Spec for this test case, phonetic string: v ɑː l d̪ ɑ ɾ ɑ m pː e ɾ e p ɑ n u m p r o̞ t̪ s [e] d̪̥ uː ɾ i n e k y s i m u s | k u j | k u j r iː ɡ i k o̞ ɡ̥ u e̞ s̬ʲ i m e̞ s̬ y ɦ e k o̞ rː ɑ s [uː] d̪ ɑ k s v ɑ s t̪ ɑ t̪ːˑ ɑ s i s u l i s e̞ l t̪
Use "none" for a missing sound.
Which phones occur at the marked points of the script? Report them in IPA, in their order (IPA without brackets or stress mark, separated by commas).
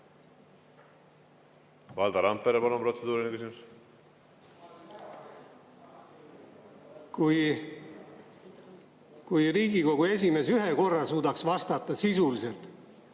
e, uː